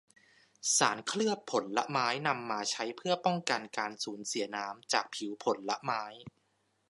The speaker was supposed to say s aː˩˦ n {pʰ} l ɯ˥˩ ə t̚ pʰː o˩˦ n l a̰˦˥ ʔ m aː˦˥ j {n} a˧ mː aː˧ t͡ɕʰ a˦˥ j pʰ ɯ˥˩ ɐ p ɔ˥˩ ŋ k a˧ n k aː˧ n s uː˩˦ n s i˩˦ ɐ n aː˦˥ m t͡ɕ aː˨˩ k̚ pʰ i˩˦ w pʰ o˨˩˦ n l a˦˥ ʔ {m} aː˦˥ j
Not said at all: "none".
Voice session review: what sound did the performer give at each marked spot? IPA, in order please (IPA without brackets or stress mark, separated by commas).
kʰ, n, m